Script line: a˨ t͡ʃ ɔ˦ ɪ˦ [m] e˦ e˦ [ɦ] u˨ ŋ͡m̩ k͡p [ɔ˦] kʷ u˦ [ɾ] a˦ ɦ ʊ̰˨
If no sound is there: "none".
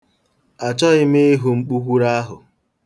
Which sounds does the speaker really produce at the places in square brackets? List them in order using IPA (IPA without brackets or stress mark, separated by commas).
m, ɦ, u˦, ɾ